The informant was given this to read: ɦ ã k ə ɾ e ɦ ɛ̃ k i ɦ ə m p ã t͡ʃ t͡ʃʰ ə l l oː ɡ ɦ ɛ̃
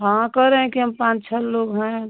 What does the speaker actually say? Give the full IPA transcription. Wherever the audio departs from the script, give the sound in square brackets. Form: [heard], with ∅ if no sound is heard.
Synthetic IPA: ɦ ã k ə ɾ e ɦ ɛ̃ k i ɦ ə m p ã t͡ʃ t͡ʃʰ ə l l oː ɡ ɦ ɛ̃

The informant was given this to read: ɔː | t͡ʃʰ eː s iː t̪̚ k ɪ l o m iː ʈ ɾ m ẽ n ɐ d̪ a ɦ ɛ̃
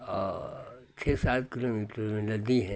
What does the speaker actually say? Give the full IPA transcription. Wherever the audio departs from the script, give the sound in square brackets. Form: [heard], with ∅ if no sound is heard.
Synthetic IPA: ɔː | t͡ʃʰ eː s [aː] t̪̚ k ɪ l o m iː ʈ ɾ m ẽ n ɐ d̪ [i] ɦ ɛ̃

